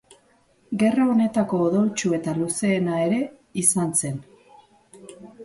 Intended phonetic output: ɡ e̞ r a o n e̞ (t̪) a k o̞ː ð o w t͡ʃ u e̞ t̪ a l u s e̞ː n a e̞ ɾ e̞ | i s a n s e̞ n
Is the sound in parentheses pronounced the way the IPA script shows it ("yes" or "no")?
yes